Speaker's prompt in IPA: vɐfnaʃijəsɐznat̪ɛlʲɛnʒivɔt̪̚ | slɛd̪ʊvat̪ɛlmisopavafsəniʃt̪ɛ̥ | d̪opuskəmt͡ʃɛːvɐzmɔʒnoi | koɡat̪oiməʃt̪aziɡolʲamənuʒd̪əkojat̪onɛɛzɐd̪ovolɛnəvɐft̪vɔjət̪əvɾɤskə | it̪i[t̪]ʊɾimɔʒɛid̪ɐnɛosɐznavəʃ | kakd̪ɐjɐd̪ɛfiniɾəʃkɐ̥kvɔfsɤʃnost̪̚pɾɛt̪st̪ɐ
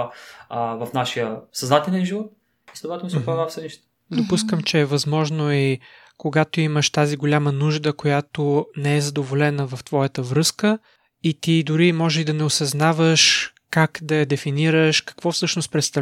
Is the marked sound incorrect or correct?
incorrect